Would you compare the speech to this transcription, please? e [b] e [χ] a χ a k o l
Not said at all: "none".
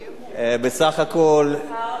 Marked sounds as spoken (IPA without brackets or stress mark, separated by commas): b, s